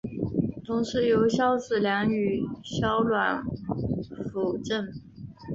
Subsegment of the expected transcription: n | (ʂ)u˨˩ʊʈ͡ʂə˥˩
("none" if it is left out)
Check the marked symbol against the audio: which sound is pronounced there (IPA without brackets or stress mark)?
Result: f